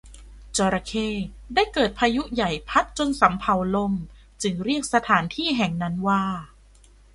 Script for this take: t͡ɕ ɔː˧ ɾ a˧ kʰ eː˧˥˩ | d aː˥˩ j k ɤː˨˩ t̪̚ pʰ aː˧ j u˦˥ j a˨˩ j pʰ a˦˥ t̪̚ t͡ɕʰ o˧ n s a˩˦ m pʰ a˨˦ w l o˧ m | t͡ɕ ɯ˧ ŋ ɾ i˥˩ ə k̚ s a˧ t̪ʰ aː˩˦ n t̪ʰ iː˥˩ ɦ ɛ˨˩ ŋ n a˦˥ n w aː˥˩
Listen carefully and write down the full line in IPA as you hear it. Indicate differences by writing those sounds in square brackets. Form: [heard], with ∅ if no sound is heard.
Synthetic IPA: t͡ɕ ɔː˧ ɾ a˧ kʰ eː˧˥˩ | d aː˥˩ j k ɤː˨˩ t̪̚ pʰ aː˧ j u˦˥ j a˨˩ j pʰ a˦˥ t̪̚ [t͡ɕ] o˧ n s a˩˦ m pʰ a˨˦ w l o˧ m | t͡ɕ ɯ˧ ŋ ɾ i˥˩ ə k̚ s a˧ t̪ʰ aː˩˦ n t̪ʰ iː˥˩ ɦ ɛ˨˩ ŋ n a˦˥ n w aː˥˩